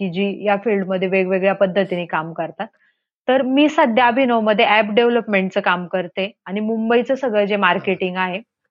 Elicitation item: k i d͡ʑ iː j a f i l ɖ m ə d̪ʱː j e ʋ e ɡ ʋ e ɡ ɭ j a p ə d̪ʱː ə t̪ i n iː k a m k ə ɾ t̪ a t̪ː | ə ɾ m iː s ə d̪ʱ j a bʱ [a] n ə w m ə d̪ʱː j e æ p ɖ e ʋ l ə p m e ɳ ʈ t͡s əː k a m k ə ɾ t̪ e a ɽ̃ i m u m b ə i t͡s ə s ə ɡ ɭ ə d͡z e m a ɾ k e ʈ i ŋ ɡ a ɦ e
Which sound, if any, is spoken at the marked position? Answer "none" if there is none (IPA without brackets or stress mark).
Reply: i